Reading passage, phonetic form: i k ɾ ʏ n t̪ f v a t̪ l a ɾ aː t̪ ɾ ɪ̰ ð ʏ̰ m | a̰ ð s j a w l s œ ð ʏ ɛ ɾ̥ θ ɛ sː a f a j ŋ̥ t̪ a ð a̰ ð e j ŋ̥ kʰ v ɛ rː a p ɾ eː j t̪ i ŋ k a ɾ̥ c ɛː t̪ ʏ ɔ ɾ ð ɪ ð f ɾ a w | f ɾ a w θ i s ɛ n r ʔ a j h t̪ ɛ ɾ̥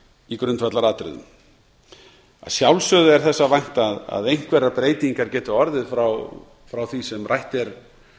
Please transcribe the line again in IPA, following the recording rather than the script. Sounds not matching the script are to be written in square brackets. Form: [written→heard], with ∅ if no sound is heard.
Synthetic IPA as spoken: i k ɾ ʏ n t̪ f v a t̪ l a ɾ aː t̪ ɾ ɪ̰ ð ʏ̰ m | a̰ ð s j a w l s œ ð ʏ ɛ ɾ̥ θ ɛ sː a [f→v] a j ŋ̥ t̪ a ð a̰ ð e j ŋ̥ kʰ v ɛ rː a p ɾ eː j t̪ i ŋ k a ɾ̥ c ɛː t̪ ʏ ɔ ɾ ð ɪ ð f ɾ a w | f ɾ a w θ i s ɛ [n→m] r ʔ a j h t̪ ɛ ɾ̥